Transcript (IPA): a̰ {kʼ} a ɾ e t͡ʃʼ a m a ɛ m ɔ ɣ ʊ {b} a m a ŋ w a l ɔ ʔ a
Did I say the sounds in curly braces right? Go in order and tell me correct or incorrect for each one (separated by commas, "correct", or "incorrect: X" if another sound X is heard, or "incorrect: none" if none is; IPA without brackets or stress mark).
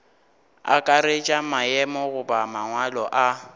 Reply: correct, correct